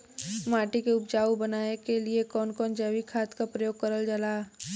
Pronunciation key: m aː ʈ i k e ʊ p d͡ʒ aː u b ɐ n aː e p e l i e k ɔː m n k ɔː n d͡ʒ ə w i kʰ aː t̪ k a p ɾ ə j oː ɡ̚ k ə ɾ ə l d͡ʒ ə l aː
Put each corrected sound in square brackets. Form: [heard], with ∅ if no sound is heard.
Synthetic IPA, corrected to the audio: m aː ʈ i k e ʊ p d͡ʒ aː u b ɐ n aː e [k] e l i e k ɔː [∅] n k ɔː n d͡ʒ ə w i kʰ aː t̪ k a p ɾ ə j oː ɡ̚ k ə ɾ ə l d͡ʒ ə l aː

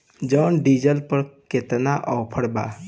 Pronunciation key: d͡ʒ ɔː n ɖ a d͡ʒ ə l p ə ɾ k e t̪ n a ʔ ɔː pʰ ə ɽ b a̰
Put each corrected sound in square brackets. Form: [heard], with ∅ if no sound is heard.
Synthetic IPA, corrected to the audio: d͡ʒ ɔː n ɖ [i] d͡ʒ ə l p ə ɾ k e t̪ n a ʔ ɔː pʰ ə ɽ b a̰

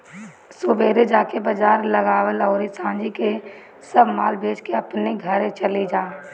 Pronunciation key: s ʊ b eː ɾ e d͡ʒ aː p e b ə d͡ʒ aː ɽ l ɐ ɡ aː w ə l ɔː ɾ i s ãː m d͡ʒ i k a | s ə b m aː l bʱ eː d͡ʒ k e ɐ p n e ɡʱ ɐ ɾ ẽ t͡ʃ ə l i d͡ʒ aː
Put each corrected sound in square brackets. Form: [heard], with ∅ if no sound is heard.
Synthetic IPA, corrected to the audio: s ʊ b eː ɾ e d͡ʒ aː [k] e b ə d͡ʒ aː [ɾ] l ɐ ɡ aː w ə l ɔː ɾ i s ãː [∅] d͡ʒ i k [e] | s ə b m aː l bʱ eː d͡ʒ k e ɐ p n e ɡʱ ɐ ɾ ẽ t͡ʃ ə l i d͡ʒ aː

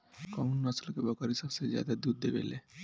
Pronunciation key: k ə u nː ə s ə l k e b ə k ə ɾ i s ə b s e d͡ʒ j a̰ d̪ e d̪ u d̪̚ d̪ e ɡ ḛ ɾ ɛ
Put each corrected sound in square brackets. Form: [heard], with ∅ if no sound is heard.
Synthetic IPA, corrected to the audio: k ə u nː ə s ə l k e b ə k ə ɾ i s ə b s e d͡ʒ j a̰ d̪ [a] d̪ u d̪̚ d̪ e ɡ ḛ [l] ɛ

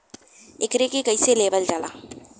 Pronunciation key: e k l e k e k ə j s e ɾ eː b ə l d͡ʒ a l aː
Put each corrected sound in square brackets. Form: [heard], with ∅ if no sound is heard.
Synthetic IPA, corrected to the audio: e k [ɾ] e k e k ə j s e [l] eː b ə l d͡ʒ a l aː

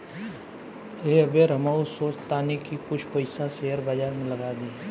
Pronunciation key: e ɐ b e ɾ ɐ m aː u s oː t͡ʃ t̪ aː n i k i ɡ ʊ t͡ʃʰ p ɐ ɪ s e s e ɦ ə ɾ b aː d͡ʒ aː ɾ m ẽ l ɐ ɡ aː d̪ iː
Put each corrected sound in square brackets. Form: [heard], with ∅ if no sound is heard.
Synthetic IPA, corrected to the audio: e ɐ b e ɾ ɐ m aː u s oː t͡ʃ t̪ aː n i k i [k] ʊ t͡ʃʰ p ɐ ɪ s [a] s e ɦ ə ɾ b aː d͡ʒ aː ɾ m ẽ l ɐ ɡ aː d̪ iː

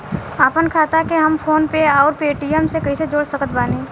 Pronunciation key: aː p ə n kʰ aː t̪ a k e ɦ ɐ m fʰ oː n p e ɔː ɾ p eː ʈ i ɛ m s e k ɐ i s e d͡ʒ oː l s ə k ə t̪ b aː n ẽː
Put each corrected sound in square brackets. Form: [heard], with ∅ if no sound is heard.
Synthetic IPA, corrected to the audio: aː p ə n kʰ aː t̪ a k e ɦ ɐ m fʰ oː n p e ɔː ɾ p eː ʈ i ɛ m s e k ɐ i s e d͡ʒ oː [ɽ] s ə k ə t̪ b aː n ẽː

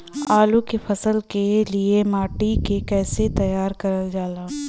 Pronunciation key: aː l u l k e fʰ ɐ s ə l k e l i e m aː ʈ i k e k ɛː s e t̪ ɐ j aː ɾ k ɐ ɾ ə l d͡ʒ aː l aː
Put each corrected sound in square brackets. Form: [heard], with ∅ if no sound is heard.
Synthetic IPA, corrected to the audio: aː l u [∅] k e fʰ ɐ s ə l k e l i e m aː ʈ i k e k ɛː s e t̪ ɐ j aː ɾ k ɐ ɾ ə l d͡ʒ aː l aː

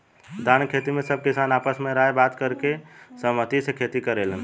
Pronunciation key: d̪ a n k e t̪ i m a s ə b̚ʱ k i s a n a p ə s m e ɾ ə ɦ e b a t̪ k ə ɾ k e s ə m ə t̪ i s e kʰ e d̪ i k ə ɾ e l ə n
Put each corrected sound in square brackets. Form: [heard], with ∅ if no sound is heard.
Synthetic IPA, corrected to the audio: d̪ a n [kʰ] e t̪ i m [e] s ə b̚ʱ k i s a n a p ə s m e ɾ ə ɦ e b a t̪ k ə ɾ k e s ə m ə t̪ i s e kʰ e [t̪] i k ə ɾ e l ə n

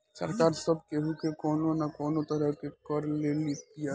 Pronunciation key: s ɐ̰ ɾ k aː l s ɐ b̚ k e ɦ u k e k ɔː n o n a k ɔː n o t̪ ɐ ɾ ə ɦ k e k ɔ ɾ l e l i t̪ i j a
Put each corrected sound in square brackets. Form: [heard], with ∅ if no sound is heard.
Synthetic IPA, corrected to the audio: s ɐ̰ ɾ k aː [ɾ] s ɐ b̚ k e ɦ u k e k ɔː n o n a k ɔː n o t̪ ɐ ɾ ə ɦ k e k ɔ ɾ l e l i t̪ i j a

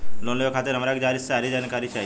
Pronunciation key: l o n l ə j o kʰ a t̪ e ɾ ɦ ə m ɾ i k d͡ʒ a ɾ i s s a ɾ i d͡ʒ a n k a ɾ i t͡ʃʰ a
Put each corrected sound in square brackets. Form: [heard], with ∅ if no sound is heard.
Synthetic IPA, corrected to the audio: l o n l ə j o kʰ a t̪ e ɾ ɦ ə m ɾ [a] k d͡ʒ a ɾ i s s a ɾ i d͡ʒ a n k a ɾ i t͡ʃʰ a

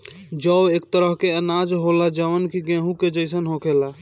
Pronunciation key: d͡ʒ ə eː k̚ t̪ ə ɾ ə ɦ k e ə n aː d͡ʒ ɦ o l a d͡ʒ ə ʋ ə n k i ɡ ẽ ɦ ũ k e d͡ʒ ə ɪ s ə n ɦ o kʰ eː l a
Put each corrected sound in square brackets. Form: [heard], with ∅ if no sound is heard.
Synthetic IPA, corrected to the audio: d͡ʒ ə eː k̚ t̪ ə ɾ ə ɦ k e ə n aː d͡ʒ ɦ o l a d͡ʒ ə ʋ ə n k i ɡ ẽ ɦ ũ k e d͡ʒ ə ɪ s ə n ɦ o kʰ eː l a

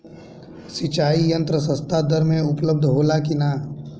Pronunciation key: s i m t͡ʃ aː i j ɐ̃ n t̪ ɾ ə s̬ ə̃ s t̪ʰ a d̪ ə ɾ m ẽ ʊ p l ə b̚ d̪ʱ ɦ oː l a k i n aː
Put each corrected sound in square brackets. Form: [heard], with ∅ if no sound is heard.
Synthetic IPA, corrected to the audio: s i [∅] t͡ʃ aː i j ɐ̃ n t̪ ɾ ə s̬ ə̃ s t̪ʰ a d̪ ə ɾ m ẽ ʊ p l ə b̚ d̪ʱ ɦ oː l a k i n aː

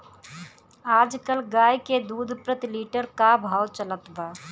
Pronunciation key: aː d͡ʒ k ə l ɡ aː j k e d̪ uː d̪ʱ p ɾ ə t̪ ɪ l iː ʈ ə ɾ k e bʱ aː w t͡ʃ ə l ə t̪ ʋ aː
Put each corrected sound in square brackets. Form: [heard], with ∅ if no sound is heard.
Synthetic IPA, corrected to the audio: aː d͡ʒ k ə l ɡ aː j k e d̪ uː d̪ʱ p ɾ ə t̪ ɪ l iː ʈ ə ɾ k [a] bʱ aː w t͡ʃ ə l ə t̪ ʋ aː

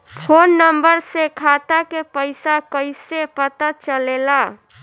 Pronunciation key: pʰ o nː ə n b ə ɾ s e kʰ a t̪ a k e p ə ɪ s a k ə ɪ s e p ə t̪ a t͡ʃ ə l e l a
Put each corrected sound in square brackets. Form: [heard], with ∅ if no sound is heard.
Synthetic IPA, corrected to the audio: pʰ o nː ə [m] b ə ɾ s e kʰ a t̪ a k e p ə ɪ s a k ə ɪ s e p ə t̪ a t͡ʃ ə l e l a

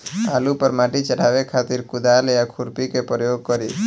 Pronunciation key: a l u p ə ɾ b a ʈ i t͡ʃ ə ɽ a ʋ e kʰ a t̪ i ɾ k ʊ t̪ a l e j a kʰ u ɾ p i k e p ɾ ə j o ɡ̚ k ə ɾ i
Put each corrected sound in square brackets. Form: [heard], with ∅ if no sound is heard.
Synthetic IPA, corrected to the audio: a l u p ə ɾ [m] a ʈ i t͡ʃ ə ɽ a ʋ e kʰ a t̪ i ɾ k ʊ [d̪] a l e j a kʰ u ɾ p i k e p ɾ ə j o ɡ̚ k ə ɾ i

